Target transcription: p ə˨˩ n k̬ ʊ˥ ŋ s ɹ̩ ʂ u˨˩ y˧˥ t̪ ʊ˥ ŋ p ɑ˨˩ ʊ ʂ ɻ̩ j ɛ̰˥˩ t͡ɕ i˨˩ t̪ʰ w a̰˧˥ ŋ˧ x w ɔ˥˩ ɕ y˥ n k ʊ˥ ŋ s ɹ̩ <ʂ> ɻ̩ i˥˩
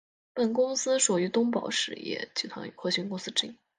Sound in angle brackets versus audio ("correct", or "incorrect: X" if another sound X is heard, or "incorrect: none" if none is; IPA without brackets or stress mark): incorrect: ʈ͡ʂ